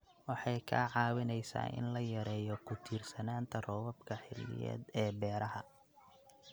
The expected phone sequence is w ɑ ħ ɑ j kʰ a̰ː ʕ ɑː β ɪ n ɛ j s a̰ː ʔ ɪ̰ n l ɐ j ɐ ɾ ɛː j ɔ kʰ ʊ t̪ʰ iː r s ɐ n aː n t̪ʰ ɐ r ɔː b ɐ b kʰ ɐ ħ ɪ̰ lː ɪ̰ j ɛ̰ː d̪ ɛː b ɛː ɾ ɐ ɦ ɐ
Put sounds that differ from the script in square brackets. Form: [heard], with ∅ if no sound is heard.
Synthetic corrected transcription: w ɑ ħ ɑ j kʰ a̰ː ʕ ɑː [w] ɪ n ɛ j s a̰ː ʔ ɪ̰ n l ɐ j ɐ ɾ ɛː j ɔ kʰ ʊ t̪ʰ iː r s ɐ n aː n t̪ʰ ɐ r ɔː [w] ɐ b kʰ ɐ ħ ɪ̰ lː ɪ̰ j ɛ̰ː d̪ ɛː b ɛː ɾ ɐ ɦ ɐ